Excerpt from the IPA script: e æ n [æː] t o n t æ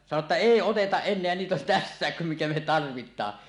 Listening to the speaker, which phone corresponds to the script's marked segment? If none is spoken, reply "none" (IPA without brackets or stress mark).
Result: iː